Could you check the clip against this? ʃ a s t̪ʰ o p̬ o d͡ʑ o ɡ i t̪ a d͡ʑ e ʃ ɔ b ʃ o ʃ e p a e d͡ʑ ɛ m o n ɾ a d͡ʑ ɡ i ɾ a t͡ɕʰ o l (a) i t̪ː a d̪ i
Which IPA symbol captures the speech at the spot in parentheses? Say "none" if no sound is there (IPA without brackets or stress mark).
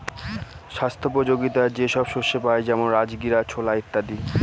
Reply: a